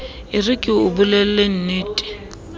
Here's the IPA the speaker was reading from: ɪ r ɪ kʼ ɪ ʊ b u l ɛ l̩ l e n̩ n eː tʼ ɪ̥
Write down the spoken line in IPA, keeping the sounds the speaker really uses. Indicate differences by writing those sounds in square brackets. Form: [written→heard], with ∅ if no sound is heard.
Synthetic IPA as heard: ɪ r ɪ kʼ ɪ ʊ b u l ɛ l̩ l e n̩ n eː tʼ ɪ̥